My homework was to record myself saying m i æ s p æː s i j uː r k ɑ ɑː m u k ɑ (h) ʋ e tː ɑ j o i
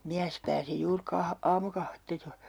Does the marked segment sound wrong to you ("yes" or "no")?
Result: no